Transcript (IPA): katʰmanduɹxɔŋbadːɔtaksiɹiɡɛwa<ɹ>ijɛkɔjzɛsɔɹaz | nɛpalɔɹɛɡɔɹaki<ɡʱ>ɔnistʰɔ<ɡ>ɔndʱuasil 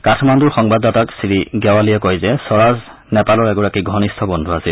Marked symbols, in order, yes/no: no, yes, no

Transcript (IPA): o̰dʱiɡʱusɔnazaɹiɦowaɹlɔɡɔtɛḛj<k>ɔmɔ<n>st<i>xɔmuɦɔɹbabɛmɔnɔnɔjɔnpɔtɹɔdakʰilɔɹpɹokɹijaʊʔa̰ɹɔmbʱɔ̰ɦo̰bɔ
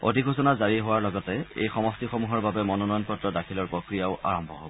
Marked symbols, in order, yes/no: no, no, yes

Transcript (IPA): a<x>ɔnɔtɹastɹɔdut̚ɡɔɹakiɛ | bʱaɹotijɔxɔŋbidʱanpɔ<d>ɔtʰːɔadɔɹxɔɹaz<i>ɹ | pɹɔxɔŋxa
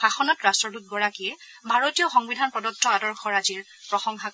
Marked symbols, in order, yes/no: yes, yes, yes

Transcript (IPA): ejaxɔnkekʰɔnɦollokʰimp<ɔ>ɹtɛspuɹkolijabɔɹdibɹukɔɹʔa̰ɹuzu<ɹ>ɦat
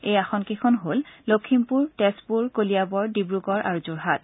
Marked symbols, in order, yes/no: no, yes

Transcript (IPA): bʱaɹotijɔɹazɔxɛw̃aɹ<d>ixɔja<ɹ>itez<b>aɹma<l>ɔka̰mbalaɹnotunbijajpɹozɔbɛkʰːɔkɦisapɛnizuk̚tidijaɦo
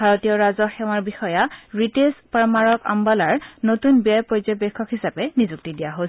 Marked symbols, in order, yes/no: no, yes, no, no

